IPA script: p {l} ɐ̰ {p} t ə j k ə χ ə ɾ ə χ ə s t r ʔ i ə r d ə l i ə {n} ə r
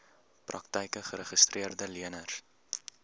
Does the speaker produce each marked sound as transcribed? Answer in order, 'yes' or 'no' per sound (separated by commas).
no, no, yes